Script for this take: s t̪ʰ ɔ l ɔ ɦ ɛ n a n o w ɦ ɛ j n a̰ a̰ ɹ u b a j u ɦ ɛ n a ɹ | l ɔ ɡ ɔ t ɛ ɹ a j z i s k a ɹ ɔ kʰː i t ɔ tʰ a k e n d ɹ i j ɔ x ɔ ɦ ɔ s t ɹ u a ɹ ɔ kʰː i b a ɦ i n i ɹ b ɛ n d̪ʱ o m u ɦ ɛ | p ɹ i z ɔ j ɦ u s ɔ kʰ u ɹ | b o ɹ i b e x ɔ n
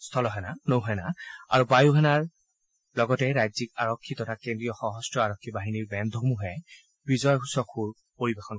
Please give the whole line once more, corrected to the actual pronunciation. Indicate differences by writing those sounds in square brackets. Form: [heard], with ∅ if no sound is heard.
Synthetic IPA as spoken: s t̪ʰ ɔ l ɔ ɦ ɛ n a n o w ɦ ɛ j n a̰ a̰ ɹ u b a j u ɦ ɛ n a ɹ | l ɔ ɡ ɔ t ɛ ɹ a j z i [∅] k a ɹ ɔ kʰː i t ɔ tʰ a k e n d ɹ i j ɔ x ɔ ɦ ɔ s t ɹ [ɔ] a ɹ ɔ kʰː i b a ɦ i n i ɹ b ɛ n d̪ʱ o m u ɦ ɛ | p ɹ i z ɔ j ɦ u s ɔ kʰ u ɹ | [p] o ɹ i b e x ɔ n

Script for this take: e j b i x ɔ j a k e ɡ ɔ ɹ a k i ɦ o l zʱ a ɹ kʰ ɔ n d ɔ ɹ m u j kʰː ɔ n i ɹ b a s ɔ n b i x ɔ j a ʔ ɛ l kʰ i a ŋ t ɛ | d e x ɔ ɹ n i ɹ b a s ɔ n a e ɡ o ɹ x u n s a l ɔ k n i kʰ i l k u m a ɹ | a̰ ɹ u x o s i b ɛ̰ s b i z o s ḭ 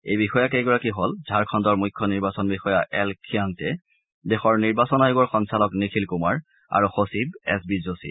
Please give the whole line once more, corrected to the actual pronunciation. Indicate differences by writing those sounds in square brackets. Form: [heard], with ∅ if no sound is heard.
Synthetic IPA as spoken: e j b i x ɔ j a k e ɡ ɔ ɹ a k i ɦ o l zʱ a ɹ kʰ ɔ n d ɔ ɹ m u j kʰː ɔ n i ɹ b a s ɔ n b i x ɔ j a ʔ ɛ l kʰ i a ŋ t ɛ | d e x ɔ ɹ n i ɹ b a s ɔ n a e ɡ [ɔ] ɹ x [ɔ] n s a l ɔ k n i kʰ i l k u m a ɹ | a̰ ɹ u x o s i b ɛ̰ s b i z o s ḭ

